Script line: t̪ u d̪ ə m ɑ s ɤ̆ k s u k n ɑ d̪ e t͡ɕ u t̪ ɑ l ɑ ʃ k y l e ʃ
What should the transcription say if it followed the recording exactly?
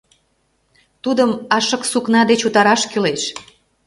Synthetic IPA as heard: t̪ u d̪ ə m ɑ ʃ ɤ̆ k s u k n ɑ d̪ e t͡ɕ u t̪ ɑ ɾ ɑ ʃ k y l e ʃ